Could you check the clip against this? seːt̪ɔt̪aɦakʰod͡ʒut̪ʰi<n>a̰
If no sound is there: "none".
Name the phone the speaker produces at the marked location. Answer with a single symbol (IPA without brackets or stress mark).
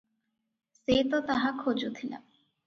n